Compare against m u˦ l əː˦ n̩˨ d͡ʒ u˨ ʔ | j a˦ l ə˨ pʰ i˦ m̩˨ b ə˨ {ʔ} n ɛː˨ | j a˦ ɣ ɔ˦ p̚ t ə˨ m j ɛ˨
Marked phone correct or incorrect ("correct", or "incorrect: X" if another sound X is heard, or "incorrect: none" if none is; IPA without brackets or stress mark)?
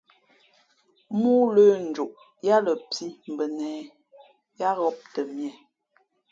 incorrect: none